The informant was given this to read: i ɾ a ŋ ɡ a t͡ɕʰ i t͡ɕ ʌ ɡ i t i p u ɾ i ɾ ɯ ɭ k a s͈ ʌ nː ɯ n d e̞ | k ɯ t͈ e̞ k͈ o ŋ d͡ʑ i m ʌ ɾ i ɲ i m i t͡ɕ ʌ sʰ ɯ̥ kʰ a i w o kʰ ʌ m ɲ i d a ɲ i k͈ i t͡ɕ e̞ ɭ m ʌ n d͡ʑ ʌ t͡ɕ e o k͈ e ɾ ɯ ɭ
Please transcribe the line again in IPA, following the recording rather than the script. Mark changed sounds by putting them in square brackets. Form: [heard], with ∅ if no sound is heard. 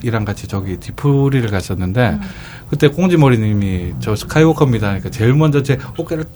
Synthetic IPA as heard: i ɾ a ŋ ɡ a t͡ɕʰ i t͡ɕ ʌ ɡ i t i [pʰ] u ɾ i ɾ ɯ ɭ k a s͈ ʌ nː ɯ n d e̞ | k ɯ t͈ e̞ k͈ o ŋ d͡ʑ i m ʌ ɾ i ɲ i m i t͡ɕ ʌ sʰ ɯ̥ kʰ a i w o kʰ ʌ m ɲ i d a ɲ i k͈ [a] t͡ɕ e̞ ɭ m ʌ n d͡ʑ ʌ t͡ɕ e o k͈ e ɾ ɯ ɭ